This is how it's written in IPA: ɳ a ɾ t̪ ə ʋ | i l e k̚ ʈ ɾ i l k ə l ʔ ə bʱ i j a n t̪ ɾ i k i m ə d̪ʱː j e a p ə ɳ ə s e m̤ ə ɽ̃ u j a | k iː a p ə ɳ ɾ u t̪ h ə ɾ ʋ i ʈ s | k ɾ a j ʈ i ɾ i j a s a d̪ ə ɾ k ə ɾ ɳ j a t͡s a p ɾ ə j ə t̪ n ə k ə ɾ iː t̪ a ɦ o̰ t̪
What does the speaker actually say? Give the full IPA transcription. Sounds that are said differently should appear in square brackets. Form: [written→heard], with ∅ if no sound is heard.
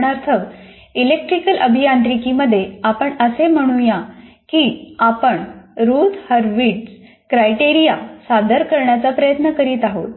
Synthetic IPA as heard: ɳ a ɾ [t̪→t̪ʰ] ə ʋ | i l e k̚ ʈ ɾ i [l→∅] k ə l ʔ ə bʱ i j a n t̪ ɾ i k i m ə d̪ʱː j e a p ə ɳ ə s e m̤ ə ɽ̃ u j a | k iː a p ə ɳ ɾ u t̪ h ə ɾ ʋ i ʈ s | k ɾ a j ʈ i ɾ i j a s a d̪ ə ɾ k ə ɾ ɳ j a t͡s a p ɾ ə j ə t̪ n ə k ə ɾ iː t̪ a ɦ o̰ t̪

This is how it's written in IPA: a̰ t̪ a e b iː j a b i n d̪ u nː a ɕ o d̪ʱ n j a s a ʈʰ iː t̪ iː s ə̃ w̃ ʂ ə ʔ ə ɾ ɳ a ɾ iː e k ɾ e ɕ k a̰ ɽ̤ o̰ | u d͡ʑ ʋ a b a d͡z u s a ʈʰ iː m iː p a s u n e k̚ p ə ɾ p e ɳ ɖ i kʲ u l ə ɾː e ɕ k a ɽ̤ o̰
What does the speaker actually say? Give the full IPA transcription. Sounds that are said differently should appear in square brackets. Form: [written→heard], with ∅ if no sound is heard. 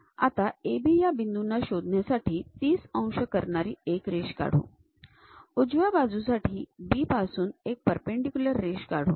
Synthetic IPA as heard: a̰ t̪ a e b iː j a b i n d̪ u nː a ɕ o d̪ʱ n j a s a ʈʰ iː t̪ iː s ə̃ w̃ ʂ ə [ʔ→k] ə ɾ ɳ a ɾ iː e k ɾ e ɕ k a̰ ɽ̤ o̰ | u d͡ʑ ʋ a b a d͡z u s a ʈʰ iː [m→b] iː p a s [u→uː] n e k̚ p ə ɾ p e ɳ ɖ i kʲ u l ə ɾː e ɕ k a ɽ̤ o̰

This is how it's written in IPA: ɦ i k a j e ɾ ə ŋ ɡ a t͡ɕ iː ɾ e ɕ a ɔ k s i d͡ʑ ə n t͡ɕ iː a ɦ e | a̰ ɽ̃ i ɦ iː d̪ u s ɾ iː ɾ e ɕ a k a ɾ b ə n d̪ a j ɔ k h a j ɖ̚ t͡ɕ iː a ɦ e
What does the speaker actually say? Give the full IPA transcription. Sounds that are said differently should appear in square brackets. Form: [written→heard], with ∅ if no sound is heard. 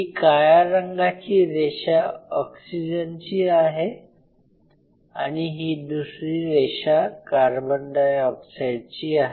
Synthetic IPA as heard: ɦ i k a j [e→a] ɾ ə ŋ ɡ a t͡ɕ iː ɾ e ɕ a ɔ k s i d͡ʑ ə n t͡ɕ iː a ɦ e | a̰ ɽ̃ i ɦ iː d̪ u s ɾ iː ɾ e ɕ a k a ɾ b ə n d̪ a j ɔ k [h→s] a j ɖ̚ t͡ɕ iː a ɦ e

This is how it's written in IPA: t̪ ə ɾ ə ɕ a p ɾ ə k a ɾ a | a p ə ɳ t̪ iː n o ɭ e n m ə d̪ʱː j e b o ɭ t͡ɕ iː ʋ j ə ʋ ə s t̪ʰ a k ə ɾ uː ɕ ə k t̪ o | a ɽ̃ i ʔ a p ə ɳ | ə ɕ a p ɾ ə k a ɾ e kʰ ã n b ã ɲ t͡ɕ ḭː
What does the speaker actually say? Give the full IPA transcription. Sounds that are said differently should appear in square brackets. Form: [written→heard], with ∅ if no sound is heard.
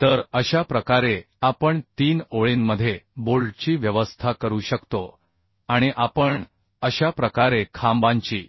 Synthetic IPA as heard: t̪ ə ɾ ə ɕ a p ɾ ə k a ɾ [a→e] | a p ə ɳ t̪ iː n o ɭ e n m ə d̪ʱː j e b o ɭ t͡ɕ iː ʋ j ə ʋ ə s t̪ʰ a k ə ɾ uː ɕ ə k t̪ o | a ɽ̃ i ʔ a p ə ɳ | ə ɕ a p ɾ ə k a ɾ e kʰ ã [n→m] b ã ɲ t͡ɕ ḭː

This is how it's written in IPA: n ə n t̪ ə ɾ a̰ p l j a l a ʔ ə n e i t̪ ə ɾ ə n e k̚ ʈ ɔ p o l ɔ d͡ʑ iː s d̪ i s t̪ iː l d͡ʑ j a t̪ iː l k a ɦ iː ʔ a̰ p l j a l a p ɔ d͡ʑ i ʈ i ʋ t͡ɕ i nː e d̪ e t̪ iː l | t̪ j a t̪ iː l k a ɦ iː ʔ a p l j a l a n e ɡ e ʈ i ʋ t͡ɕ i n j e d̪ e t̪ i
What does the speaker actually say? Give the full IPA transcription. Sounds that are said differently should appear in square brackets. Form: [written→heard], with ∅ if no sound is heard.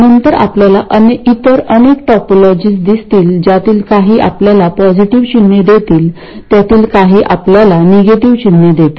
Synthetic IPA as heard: n ə n t̪ ə ɾ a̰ p l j a l a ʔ ə n e i t̪ ə ɾ ə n e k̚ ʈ ɔ p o l ɔ d͡ʑ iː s d̪ i s t̪ iː l d͡ʑ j a t̪ iː l k a ɦ iː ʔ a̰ p l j a l a p ɔ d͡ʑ i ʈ i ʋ t͡ɕ i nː e d̪ e t̪ iː l | t̪ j a t̪ iː l k a ɦ iː ʔ a p l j a l a n e ɡ e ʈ i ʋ t͡ɕ i n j e d̪ e t̪ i

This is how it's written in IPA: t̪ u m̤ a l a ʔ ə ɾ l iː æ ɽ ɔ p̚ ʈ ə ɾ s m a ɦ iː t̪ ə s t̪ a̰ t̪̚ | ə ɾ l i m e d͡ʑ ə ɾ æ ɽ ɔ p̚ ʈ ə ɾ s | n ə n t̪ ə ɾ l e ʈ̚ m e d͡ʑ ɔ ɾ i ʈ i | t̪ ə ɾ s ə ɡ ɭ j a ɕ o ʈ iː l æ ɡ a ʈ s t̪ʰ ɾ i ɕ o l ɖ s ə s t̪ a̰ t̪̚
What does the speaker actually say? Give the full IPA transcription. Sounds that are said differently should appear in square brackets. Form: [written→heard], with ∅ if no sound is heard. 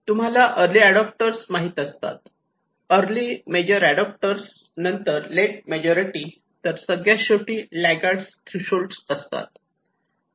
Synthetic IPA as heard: t̪ u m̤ a l a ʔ ə ɾ l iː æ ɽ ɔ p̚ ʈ ə ɾ s m a ɦ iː t̪ ə s t̪ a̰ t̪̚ | ə ɾ l i m e d͡ʑ ə ɾ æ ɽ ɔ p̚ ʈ ə ɾ s | n ə n t̪ ə ɾ l e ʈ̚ m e d͡ʑ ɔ ɾ i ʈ i | t̪ ə ɾ s ə ɡ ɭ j a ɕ o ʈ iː l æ ɡ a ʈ s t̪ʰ ɾ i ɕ o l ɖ s ə s t̪ a̰ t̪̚

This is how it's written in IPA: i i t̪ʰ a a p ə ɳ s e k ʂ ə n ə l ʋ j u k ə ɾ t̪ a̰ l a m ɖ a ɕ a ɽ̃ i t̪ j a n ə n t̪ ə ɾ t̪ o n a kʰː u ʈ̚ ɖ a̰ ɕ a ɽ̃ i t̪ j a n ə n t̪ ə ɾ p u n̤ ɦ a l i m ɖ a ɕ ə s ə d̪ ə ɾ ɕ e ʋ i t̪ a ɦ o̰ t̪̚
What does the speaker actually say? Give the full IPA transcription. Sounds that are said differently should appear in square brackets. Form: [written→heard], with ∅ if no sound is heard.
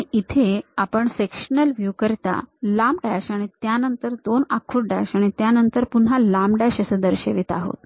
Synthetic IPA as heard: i i t̪ʰ [a→e] a p ə ɳ s e k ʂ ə n ə l ʋ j u k ə ɾ t̪ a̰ l a m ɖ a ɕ a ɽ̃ i t̪ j a n ə n t̪ ə ɾ [t̪→d̪] o n a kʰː u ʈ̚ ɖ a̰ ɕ a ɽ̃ i t̪ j a n ə n t̪ ə ɾ p u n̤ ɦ a l [i→a] m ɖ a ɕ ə s ə d̪ ə ɾ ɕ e ʋ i t̪ a ɦ o̰ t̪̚

